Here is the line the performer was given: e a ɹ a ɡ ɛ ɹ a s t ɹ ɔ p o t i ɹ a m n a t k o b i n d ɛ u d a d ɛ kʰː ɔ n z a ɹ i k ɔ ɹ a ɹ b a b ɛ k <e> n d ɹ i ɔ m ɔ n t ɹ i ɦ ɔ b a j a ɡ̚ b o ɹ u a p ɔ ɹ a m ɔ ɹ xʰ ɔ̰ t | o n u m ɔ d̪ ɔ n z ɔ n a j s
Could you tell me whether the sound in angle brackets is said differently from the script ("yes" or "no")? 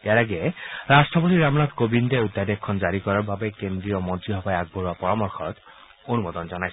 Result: no